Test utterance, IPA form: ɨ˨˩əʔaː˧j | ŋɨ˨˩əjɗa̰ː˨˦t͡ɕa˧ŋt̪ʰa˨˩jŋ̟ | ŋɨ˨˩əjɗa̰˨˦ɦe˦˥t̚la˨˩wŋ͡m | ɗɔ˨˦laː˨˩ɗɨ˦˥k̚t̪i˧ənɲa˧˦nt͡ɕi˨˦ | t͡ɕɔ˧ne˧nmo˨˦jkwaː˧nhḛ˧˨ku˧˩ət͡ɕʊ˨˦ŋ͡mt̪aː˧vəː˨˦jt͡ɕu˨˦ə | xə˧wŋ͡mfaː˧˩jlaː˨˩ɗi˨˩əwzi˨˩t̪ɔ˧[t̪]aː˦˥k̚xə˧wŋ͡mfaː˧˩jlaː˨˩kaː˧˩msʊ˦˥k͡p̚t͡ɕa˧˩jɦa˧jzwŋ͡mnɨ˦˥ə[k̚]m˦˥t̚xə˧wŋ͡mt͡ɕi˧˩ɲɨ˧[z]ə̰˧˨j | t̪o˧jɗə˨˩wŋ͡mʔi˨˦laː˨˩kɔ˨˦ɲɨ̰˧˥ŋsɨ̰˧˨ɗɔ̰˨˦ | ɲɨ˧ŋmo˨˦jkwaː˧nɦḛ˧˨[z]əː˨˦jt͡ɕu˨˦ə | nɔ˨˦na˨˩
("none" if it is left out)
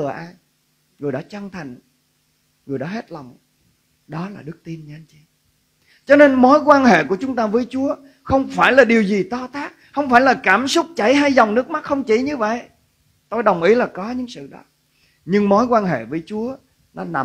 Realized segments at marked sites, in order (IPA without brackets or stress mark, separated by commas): t̪, k̚, v, v